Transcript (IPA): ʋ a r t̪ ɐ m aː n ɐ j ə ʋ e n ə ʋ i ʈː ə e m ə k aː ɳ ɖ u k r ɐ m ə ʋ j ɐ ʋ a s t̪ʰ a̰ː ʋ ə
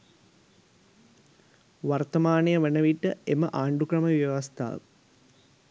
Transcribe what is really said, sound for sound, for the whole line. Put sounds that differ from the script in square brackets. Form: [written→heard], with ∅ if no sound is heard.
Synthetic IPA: ʋ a r t̪ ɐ m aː n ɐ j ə ʋ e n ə ʋ i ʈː ə e m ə [k→ʔ] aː ɳ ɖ u k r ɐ m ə ʋ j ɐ ʋ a s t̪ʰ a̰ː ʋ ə